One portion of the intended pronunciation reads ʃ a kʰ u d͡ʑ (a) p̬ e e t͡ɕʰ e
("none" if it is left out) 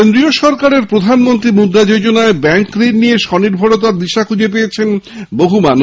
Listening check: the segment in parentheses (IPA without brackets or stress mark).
e